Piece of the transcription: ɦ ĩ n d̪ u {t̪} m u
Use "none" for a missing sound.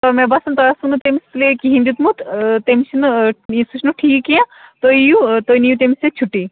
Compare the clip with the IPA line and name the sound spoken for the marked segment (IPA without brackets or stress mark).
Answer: t̪